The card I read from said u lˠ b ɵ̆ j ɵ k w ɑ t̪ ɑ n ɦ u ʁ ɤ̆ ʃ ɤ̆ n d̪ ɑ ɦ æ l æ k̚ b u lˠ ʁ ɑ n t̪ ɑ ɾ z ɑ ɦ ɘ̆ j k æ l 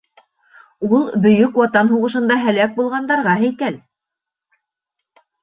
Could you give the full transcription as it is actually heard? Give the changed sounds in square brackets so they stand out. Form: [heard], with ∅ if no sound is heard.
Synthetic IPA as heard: u lˠ b ɵ̆ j ɵ k w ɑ t̪ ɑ n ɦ u ʁ ɤ̆ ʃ ɤ̆ n d̪ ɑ ɦ æ l æ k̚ b u lˠ ʁ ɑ n [d̪] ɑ ɾ [ʁ] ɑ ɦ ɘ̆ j k æ l